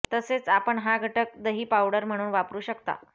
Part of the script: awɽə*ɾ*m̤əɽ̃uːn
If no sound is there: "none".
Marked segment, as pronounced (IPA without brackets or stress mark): ɾ